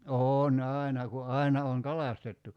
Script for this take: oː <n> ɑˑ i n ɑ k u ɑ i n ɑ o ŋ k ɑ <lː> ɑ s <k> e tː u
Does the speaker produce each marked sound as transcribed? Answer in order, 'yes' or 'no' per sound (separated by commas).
yes, no, no